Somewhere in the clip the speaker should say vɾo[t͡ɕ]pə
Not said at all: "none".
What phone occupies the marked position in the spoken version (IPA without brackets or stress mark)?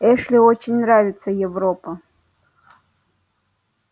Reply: none